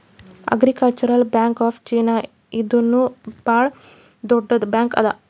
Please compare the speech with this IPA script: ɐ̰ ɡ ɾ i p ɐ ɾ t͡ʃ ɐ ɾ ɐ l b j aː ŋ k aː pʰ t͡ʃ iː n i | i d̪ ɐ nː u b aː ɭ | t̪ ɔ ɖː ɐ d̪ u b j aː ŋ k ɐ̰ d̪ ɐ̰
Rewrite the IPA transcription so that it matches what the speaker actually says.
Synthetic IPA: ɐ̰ ɡ ɾ i k ɐ l t͡ʃ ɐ ɾ ɐ l b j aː ŋ k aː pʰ t͡ʃ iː n a | i d̪ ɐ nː u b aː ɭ | d̪ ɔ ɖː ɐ d̪ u b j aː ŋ k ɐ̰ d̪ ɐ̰